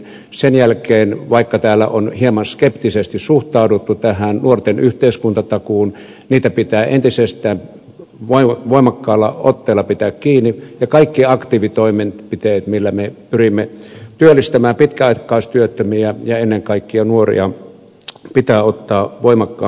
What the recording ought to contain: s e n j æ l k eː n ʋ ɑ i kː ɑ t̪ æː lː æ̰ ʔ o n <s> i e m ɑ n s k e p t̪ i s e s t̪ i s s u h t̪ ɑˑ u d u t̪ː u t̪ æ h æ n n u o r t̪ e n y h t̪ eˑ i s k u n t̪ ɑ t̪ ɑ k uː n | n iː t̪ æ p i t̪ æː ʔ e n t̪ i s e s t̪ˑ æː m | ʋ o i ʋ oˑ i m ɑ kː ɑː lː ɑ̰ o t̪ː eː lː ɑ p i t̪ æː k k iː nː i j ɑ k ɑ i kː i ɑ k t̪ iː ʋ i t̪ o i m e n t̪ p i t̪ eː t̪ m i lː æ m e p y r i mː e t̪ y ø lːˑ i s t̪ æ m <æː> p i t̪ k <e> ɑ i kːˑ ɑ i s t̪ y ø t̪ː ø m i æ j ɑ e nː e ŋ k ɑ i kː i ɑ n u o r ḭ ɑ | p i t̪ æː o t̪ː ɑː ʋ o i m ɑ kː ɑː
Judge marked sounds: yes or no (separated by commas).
no, yes, no